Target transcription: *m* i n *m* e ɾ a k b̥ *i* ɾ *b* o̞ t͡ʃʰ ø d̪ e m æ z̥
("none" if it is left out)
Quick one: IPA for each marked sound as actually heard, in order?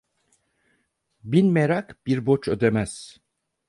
b, m, i, b

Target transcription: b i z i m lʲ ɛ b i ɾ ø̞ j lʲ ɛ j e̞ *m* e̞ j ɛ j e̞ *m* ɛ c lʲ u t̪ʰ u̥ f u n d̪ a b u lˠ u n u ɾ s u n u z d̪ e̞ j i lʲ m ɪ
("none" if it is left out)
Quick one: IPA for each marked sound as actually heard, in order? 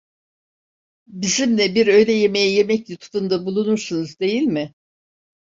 m, m

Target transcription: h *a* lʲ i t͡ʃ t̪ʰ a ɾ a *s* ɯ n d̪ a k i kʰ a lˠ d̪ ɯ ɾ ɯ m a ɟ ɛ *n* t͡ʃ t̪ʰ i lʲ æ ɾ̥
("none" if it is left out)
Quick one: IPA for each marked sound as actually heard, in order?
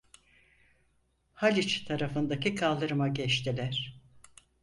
a, f, none

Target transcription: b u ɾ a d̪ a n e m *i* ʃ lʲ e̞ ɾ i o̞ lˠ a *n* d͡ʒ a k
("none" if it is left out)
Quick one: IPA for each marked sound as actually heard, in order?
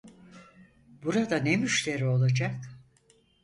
y, none

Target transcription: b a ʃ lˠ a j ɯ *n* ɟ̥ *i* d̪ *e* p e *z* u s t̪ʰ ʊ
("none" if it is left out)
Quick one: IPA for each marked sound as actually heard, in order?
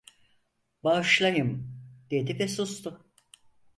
m, e, i, s

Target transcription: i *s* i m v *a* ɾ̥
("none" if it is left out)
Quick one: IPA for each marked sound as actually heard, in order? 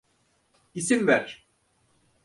s, æ

